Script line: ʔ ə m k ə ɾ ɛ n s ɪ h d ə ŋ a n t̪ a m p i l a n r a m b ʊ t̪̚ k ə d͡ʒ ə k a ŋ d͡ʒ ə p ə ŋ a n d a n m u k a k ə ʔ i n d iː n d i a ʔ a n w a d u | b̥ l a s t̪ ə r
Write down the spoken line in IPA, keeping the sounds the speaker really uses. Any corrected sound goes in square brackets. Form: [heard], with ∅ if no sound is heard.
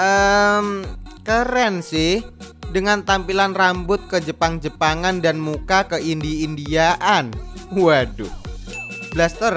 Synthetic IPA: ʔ ə m k ə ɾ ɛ n s ɪ h d ə ŋ a n t̪ a m p i l a n r a m b ʊ t̪̚ k ə d͡ʒ ə [p] a ŋ d͡ʒ ə p [a] ŋ a n d a n m u k a k ə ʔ i n d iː n d i a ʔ a n w a d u | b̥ l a s t̪ ə r